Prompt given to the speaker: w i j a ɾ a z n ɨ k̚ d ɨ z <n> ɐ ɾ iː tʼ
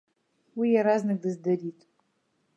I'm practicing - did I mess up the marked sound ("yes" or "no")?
yes